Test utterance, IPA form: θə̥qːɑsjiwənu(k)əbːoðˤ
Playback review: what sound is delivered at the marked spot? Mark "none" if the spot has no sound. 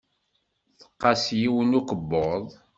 k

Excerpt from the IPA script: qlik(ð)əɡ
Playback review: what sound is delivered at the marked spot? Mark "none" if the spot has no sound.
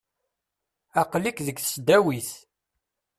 ð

